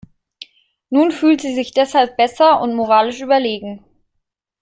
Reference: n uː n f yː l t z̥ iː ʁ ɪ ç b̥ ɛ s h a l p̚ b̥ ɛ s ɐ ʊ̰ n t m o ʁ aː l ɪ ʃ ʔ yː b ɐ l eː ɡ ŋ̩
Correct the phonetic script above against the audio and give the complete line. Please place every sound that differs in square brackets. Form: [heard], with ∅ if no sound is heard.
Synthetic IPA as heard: n uː n f yː l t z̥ iː [z] ɪ ç [d̥] ɛ s h a l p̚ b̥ ɛ s ɐ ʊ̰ n t m o ʁ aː l ɪ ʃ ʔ yː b ɐ l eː ɡ ŋ̩